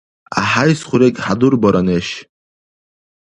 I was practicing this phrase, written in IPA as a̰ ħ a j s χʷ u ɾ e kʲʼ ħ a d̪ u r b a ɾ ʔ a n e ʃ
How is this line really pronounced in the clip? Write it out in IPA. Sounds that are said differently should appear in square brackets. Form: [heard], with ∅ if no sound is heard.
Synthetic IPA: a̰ ħ a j s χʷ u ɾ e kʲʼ ħ a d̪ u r b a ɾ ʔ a n e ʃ